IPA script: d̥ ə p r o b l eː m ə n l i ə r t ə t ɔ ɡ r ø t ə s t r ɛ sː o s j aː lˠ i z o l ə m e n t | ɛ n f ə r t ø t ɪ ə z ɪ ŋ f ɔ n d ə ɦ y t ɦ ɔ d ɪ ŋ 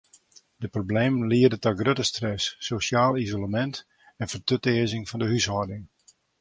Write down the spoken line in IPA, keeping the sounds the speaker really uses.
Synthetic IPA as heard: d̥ ə p r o b l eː m ə n l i ə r d ə t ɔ ɡ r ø t ə s t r ɛ sː o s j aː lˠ i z o l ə m ɛ n t | ɛ n f ə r t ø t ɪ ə z ɪ ŋ f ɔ n d ə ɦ y s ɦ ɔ d ɪ ŋ